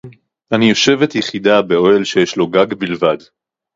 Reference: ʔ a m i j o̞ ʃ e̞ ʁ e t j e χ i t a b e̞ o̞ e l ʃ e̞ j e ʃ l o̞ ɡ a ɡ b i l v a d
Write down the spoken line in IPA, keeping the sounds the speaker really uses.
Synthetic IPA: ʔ a n i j o̞ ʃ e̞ v e t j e χ i d a b e̞ o̞ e l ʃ e̞ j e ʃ l o̞ ɡ a ɡ b i l v a d